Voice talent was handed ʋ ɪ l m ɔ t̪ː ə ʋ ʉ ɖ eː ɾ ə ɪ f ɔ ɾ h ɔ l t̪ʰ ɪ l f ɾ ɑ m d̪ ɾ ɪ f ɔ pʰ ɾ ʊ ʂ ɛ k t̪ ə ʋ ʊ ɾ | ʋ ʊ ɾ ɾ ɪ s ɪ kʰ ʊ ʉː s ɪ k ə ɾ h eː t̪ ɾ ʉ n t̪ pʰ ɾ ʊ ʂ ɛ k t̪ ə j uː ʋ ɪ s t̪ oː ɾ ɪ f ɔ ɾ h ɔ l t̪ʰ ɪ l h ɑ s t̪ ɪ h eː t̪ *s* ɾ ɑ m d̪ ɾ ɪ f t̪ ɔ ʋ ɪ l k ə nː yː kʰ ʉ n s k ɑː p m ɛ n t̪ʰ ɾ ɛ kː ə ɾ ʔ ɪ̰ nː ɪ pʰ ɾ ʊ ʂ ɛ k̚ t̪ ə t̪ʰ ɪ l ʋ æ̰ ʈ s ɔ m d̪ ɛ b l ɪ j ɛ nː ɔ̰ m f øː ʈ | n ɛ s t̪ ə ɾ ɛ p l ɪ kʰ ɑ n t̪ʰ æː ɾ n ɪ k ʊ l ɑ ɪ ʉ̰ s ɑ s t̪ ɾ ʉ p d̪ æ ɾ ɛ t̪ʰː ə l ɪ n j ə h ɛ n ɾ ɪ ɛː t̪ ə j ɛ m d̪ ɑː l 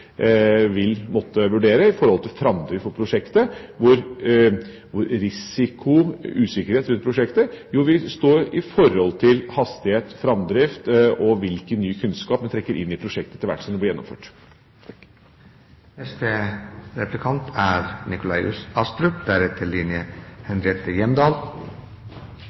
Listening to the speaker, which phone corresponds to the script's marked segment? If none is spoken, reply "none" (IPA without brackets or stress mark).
f